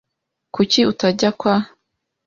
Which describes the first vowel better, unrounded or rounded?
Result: rounded